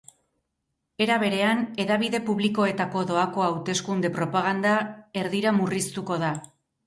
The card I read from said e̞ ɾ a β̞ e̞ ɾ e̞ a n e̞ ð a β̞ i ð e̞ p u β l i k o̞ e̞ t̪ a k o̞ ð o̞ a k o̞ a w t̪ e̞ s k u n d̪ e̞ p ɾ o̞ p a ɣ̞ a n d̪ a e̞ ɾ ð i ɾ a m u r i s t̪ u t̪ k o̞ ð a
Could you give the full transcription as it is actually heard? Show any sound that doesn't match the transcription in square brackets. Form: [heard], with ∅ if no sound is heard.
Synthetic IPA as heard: e̞ ɾ a β̞ e̞ ɾ e̞ a n e̞ ð a β̞ i ð e̞ p u β l i k o̞ e̞ t̪ a k o̞ ð o̞ a k o̞ a w t̪ e̞ s k u n d̪ e̞ p ɾ o̞ p a ɣ̞ a n d̪ a e̞ ɾ ð i ɾ a m u r i s t̪ u [∅] k o̞ ð a